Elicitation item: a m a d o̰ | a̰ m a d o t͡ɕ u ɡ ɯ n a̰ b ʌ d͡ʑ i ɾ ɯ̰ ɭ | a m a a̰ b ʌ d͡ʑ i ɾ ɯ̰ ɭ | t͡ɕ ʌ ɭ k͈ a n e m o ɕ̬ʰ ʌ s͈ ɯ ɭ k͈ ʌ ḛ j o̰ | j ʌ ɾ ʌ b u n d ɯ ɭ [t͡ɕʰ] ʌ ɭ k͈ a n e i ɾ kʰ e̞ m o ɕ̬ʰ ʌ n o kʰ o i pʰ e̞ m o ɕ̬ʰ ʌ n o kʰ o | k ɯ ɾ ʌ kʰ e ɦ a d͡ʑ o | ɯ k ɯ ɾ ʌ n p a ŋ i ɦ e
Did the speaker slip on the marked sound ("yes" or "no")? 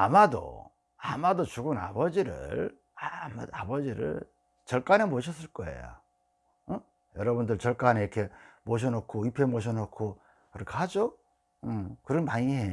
yes